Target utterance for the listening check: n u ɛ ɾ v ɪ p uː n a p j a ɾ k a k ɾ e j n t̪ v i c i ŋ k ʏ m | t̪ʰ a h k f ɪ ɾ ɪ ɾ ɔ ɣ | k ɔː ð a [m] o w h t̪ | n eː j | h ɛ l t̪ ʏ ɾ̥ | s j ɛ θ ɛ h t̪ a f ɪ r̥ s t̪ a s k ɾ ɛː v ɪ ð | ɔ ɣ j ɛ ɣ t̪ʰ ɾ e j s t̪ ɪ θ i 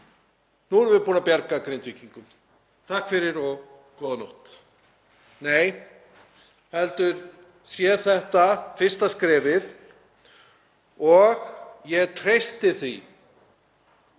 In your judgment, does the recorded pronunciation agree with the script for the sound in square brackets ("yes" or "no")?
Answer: no